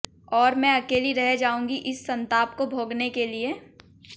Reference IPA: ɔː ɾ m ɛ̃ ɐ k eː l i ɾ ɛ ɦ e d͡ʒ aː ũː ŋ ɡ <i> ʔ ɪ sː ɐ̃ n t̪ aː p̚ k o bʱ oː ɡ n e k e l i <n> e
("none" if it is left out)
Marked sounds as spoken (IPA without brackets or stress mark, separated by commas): i, none